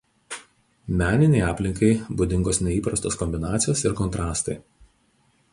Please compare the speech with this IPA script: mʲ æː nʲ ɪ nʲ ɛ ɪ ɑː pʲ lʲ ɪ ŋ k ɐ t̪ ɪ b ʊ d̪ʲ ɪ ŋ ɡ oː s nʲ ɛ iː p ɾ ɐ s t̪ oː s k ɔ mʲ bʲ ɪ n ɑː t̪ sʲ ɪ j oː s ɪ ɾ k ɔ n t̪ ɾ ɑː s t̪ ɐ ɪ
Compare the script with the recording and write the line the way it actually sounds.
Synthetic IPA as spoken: mʲ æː nʲ ɪ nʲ ɛ ɪ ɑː pʲ lʲ ɪ ŋ k ɐ ɪ b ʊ d̪ʲ ɪ ŋ ɡ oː s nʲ ɛ iː p ɾ ɐ s t̪ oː s k ɔ mʲ bʲ ɪ n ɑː t̪ sʲ ɪ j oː s ɪ ɾ k ɔ n t̪ ɾ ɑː s t̪ ɐ ɪ